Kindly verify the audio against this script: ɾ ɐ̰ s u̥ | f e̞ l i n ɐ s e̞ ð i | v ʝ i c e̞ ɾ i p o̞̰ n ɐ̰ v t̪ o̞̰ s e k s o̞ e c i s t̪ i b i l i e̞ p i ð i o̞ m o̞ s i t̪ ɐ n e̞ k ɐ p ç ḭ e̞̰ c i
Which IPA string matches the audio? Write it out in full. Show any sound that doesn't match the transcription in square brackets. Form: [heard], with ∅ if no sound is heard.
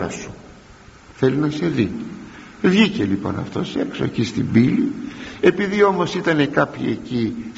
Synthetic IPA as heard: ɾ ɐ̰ s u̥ | [θ] e̞ l i n ɐ s e̞ ð i | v ʝ i c e̞ [l] i p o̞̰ n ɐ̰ [f] t̪ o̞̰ s e k s o̞ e c i s t̪ i b i l i e̞ p i ð i o̞ m o̞ s i t̪ ɐ n e̞ k ɐ p ç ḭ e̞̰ c i